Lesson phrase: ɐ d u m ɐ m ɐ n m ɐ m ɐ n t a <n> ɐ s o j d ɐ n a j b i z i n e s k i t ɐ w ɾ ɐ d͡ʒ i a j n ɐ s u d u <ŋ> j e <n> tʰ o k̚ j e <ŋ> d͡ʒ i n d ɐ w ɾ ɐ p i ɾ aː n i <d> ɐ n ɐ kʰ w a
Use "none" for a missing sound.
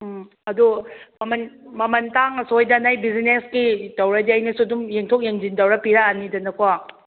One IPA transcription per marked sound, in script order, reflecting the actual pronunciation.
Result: ŋ, m, ŋ, ŋ, d

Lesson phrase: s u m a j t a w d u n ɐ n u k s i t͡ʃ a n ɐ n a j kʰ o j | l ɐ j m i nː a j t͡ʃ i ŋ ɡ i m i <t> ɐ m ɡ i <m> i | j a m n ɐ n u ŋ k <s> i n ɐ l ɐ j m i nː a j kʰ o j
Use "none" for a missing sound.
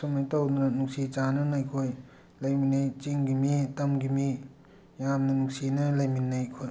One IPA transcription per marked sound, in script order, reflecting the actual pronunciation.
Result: t, m, s

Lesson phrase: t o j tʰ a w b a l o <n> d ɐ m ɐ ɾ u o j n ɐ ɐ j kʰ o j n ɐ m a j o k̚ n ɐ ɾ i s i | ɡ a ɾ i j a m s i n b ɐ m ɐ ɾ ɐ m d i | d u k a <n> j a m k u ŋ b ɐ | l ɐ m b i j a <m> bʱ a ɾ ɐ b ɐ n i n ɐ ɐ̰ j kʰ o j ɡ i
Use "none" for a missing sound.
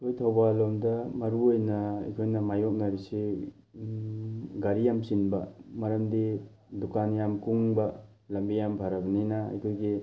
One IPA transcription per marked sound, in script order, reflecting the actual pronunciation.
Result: m, n, m

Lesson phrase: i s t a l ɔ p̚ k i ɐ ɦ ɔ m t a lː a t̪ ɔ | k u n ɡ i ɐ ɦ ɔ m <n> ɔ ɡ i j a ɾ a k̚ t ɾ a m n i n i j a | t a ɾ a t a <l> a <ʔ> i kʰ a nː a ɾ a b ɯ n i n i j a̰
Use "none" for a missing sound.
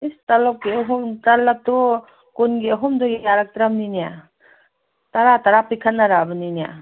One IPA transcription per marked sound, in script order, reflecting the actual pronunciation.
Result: d, ɾ, p

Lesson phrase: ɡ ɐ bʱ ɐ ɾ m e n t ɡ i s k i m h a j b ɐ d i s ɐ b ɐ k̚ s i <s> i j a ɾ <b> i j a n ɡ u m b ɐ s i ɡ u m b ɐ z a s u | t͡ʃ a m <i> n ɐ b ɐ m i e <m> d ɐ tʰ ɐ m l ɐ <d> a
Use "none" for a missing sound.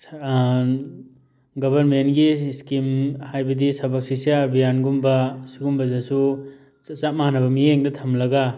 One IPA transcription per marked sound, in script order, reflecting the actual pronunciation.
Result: s, b, a, ŋ, ɡ

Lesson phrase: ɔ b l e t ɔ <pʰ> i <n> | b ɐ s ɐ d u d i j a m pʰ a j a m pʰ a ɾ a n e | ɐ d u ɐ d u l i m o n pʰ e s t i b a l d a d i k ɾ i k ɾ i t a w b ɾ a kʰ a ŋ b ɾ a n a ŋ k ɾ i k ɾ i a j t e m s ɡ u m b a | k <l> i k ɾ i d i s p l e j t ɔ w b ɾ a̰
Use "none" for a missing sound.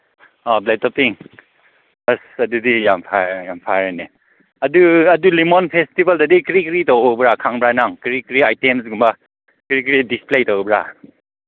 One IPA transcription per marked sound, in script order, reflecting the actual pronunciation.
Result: p, ŋ, ɾ

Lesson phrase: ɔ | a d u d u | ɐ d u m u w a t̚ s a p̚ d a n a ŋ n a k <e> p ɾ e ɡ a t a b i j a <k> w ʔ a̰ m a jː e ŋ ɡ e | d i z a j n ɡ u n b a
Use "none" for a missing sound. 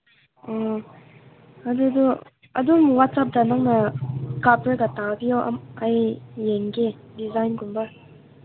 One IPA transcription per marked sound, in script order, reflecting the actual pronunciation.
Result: a, none

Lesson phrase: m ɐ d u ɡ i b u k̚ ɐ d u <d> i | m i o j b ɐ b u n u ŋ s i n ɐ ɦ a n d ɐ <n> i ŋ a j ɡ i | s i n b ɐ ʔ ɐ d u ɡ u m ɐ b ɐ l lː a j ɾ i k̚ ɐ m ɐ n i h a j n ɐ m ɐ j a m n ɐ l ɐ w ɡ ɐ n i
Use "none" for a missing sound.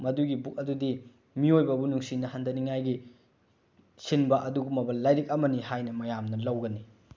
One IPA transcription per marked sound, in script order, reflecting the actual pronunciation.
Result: d, n

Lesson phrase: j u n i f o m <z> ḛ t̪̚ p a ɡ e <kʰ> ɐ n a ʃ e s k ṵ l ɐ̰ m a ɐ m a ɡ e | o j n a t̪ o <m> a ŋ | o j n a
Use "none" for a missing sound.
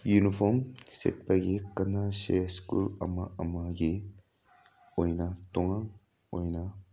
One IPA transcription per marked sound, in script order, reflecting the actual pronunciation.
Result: s, k, ŋ

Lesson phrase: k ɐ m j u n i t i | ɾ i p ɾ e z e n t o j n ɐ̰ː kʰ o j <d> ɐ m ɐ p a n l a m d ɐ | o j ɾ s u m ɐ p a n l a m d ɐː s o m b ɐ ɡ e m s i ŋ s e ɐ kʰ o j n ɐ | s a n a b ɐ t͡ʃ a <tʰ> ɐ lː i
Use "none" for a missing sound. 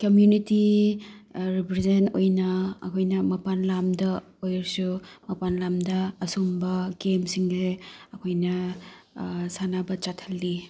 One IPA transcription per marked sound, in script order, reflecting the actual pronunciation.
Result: n, tʰ

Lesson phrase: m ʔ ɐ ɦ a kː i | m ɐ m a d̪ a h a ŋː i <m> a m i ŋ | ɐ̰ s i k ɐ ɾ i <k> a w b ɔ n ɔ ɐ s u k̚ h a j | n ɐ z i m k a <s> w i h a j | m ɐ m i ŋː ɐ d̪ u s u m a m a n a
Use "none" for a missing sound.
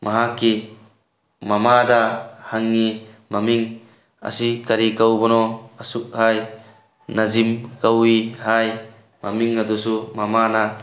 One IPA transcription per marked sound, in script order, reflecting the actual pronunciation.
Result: m, k, none

